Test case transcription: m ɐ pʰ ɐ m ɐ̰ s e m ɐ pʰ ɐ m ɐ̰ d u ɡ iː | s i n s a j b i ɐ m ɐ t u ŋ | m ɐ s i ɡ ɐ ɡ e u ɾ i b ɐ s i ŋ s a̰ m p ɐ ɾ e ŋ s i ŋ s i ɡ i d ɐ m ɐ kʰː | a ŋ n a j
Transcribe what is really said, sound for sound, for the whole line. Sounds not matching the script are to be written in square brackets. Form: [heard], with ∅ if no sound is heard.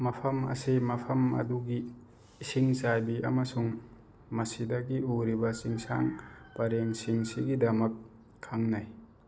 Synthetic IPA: m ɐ pʰ ɐ m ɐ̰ s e m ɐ pʰ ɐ m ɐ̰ d u ɡ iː | s i [ŋ] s a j b i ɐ m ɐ [s] u ŋ | m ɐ s i [d] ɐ ɡ [i] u ɾ i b ɐ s i ŋ s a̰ [ŋ] p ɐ ɾ e ŋ s i ŋ s i ɡ i d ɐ m ɐ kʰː | a ŋ n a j